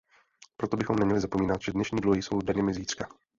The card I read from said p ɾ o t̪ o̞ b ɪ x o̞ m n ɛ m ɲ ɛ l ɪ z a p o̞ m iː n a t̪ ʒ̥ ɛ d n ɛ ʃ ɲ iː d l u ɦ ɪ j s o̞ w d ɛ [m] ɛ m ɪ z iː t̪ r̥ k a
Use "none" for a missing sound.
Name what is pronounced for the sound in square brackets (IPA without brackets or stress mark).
ɲ